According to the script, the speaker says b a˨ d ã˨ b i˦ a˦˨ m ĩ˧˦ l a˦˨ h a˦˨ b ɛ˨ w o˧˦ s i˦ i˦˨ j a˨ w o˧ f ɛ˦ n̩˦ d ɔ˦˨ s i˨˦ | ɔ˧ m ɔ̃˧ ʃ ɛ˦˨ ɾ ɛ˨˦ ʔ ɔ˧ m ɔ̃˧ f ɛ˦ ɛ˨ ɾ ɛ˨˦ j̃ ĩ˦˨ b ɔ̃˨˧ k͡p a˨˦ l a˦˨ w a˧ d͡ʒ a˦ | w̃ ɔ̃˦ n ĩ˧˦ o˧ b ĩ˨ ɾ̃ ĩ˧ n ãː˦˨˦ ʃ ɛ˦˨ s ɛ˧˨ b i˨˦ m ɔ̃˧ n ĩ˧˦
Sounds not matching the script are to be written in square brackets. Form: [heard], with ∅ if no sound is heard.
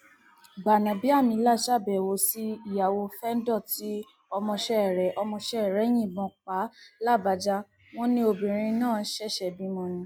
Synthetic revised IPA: b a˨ [n] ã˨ b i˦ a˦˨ m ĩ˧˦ l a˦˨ [ʃ] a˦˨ b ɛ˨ w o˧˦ s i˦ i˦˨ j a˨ w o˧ f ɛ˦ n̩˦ d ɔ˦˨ [t] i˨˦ | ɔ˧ m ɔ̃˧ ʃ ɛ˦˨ ɾ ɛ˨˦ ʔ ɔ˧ m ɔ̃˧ [ʃ] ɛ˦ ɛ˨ ɾ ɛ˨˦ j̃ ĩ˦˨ b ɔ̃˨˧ k͡p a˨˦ l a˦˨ [b] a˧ d͡ʒ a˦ | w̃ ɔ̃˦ n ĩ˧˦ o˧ b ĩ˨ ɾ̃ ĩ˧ n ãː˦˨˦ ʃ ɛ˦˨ [ʃ] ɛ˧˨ b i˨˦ m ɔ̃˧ n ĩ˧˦